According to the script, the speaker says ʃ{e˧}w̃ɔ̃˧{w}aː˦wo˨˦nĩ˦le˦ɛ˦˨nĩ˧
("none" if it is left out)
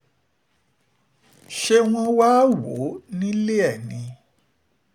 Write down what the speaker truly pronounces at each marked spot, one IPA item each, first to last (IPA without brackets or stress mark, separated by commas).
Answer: e˧, w